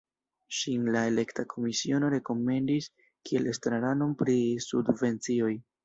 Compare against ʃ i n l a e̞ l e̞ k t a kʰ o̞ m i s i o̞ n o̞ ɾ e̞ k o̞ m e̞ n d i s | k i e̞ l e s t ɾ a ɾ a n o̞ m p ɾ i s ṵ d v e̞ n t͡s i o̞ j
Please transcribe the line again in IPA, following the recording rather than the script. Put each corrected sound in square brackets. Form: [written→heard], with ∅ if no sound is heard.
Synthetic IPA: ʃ i n l a e̞ l e̞ k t a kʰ o̞ m i s i o̞ n o̞ ɾ e̞ k o̞ m e̞ n d i s | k i e̞ l e s t ɾ a ɾ a n o̞ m p ɾ i s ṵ d v e̞ n t͡s i o̞ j